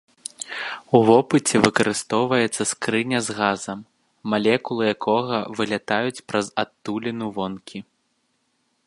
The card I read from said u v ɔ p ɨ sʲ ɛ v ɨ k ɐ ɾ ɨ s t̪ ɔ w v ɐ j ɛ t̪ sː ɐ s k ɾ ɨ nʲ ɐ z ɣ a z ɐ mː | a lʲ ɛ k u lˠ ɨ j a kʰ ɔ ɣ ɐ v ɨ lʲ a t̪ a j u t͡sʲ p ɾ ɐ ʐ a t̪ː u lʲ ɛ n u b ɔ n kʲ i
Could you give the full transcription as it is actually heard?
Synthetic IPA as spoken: u v ɔ p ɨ t͡sʲ ɛ v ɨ k ɐ ɾ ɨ s t̪ ɔ w v ɐ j ɛ t̪ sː ɐ s k ɾ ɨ nʲ ɐ z ɣ a z ɐ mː | a lʲ ɛ k u lˠ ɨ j a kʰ ɔ ɣ ɐ v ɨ lʲ a t̪ a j u t͡sʲ p ɾ ɐ z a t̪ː u lʲ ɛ n u v ɔ n kʲ i